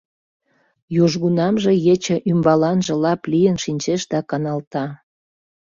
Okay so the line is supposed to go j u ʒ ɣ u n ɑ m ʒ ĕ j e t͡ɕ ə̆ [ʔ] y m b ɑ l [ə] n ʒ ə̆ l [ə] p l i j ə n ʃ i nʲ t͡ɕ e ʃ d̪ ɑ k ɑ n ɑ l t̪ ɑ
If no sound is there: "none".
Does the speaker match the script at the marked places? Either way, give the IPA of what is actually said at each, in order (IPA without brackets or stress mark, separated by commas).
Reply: ʔ, ɑ, ɑ